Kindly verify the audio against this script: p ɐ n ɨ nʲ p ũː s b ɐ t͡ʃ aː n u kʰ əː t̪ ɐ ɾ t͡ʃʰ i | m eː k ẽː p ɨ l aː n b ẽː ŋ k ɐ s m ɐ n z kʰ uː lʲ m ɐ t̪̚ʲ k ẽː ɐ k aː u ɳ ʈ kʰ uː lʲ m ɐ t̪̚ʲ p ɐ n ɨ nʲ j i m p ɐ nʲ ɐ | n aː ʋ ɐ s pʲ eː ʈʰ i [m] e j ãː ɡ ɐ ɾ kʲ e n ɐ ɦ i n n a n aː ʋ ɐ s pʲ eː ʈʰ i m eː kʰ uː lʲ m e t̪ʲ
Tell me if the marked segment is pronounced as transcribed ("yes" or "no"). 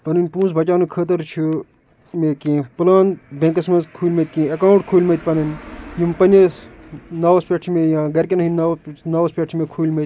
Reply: yes